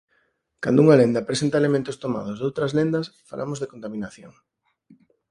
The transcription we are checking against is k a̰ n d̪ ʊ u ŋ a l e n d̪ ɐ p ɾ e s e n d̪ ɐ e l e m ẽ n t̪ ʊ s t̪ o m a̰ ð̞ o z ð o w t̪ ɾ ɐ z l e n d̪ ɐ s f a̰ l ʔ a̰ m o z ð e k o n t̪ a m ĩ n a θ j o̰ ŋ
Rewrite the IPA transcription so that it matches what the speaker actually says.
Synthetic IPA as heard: k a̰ n d̪ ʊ u ŋ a l e n d̪ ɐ p ɾ e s e n t̪ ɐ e l e m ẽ n t̪ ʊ s t̪ o m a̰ ð̞ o z ð o w t̪ ɾ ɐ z l e n d̪ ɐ s f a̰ l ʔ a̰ m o z ð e k o n t̪ a m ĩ n a θ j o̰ ŋ